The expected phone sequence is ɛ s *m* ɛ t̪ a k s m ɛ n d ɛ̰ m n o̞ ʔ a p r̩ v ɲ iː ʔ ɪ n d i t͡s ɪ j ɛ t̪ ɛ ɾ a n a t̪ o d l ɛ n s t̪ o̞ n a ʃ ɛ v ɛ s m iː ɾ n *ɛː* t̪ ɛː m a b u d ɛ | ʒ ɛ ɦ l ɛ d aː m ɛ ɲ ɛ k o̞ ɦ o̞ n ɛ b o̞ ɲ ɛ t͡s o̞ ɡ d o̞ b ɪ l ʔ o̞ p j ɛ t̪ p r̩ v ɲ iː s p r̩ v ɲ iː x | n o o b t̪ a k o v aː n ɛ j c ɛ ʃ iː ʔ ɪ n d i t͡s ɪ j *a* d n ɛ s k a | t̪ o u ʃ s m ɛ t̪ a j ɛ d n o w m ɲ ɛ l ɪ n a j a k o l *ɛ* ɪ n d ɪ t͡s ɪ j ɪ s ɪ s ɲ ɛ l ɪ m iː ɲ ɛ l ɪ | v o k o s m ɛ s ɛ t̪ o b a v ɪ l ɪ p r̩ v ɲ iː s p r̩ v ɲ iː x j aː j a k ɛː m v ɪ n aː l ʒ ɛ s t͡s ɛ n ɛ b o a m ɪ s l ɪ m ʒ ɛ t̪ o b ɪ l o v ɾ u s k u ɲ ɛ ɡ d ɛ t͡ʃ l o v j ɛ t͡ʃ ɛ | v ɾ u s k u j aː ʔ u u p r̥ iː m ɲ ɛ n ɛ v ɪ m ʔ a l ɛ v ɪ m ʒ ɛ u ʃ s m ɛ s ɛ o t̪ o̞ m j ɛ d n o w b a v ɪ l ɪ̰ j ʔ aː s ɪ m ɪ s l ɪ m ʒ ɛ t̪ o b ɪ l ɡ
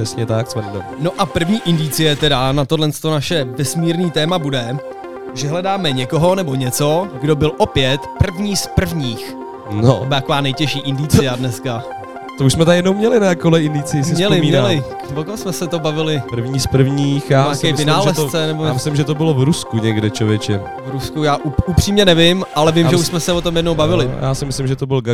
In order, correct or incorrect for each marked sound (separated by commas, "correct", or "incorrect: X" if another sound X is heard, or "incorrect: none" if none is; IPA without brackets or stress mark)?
incorrect: ɲ, incorrect: iː, correct, correct